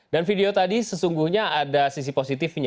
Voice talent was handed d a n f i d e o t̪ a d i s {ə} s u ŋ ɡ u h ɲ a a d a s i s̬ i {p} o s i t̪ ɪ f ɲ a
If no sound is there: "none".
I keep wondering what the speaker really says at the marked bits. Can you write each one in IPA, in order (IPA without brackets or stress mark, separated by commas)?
ə, p